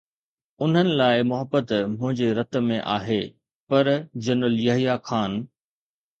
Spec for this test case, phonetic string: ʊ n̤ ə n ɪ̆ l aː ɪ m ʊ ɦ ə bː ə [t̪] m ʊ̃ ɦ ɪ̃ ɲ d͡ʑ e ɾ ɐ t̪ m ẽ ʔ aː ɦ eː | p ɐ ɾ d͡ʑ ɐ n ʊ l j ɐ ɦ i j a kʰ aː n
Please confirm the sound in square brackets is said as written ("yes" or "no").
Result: yes